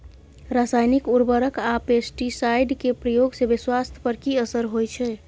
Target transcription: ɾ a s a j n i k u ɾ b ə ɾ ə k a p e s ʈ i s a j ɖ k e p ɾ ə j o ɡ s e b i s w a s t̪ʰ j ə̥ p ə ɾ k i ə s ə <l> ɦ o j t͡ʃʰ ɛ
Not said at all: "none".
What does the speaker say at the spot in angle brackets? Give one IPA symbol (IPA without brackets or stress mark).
ɾ